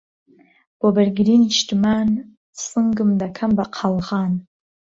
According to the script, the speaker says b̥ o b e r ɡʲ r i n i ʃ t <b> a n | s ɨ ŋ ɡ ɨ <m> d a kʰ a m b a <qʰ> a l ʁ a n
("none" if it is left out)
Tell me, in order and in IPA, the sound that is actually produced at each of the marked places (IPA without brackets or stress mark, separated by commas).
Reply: m, m, qʰ